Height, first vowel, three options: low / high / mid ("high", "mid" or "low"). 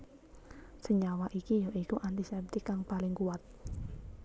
mid